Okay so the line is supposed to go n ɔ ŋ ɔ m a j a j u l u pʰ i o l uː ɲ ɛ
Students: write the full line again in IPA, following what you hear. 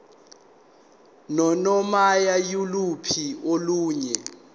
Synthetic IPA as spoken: n ɔ n ɔ m a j a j u l u pʰ i o l uː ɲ ɛ